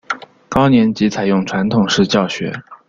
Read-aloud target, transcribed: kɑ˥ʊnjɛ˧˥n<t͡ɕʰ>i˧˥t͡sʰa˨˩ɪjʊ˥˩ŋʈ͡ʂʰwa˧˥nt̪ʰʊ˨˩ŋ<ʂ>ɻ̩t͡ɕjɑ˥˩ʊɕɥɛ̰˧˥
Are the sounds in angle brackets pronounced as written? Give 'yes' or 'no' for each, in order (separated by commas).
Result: no, yes